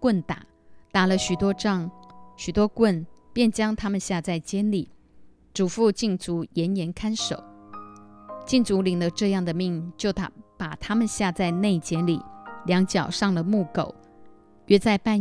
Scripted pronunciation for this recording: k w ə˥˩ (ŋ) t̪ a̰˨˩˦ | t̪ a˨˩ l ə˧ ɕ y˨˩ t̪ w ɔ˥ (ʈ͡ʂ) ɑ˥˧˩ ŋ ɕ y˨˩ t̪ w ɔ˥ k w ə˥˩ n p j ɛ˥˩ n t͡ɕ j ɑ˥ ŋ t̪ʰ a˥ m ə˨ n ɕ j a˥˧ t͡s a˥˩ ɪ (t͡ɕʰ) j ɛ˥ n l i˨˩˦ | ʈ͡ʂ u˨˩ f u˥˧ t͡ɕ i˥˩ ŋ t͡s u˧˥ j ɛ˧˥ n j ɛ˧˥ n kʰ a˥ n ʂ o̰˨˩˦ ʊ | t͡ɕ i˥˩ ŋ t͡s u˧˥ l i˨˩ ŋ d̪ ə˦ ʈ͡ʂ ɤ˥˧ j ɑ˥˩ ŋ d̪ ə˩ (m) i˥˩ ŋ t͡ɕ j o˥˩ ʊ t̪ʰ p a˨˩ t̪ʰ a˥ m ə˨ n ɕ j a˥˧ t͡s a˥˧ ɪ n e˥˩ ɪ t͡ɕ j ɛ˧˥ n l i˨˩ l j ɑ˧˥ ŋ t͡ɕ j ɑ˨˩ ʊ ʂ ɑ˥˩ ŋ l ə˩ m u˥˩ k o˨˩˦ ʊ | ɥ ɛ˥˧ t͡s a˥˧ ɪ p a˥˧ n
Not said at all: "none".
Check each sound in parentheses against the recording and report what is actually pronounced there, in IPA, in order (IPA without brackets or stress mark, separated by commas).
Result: n, ʈ͡ʂ, t͡ɕ, m